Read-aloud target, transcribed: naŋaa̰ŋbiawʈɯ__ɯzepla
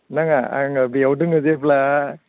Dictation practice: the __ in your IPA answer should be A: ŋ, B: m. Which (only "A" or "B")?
A